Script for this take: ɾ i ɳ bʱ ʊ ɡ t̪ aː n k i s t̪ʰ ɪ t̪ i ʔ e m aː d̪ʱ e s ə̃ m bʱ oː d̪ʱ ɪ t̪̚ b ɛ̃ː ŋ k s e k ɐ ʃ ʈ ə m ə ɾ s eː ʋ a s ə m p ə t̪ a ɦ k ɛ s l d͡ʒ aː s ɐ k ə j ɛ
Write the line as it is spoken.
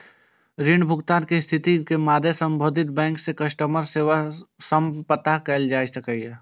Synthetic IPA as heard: ɾ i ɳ bʱ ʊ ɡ t̪ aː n k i s t̪ʰ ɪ t̪ i k e m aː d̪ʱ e s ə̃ m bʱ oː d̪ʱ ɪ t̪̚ b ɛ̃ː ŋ k s e k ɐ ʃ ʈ ə m ə ɾ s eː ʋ a s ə m p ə t̪ a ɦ k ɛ l d͡ʒ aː s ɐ k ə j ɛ